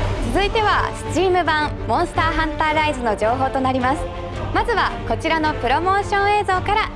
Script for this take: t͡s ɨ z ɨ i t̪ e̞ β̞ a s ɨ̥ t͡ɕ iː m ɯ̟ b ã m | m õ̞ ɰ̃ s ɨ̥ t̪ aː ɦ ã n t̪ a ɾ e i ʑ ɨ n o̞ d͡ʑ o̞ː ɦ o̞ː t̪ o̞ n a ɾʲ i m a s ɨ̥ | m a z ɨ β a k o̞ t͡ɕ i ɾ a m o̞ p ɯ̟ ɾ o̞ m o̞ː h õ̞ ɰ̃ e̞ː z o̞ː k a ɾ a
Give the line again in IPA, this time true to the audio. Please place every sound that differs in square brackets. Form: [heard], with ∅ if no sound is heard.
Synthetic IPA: t͡s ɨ z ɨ i t̪ e̞ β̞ a s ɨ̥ t͡ɕ iː m ɯ̟ b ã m | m õ̞ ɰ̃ s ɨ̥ t̪ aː ɦ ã n t̪ a ɾ [a] i [z] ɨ n o̞ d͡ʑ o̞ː ɦ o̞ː t̪ o̞ n a ɾʲ i m a s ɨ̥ | m a z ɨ β a k o̞ t͡ɕ i ɾ a [n] o̞ p ɯ̟ ɾ o̞ m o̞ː [ɕ] õ̞ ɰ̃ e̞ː z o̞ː k a ɾ a